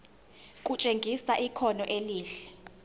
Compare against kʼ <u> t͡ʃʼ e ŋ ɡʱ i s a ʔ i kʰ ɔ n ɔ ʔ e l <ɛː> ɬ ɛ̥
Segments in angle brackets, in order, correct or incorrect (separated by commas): correct, incorrect